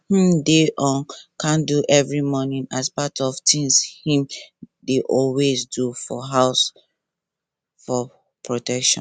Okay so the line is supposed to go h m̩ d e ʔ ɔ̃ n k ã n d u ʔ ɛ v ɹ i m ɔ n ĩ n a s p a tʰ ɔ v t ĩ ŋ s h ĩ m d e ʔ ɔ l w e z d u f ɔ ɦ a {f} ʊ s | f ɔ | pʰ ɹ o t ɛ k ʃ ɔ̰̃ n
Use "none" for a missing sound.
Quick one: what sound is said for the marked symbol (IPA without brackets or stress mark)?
none